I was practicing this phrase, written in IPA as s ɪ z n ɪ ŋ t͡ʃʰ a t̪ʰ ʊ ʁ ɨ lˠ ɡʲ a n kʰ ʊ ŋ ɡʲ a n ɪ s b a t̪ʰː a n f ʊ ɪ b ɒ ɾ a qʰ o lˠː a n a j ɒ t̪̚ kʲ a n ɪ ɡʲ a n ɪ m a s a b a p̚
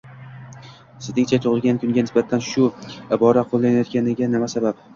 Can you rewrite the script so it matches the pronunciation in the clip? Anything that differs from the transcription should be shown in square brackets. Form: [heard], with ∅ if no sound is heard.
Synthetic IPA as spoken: s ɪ z n ɪ ŋ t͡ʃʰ a t̪ʰ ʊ ʁ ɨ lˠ ɡʲ a n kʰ ʊ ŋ ɡʲ a n ɪ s b a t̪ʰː a n [ʃ] ʊ ɪ b ɒ ɾ a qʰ o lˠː a n a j ɒ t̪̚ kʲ a n ɪ ɡʲ a n ɪ m a s a b a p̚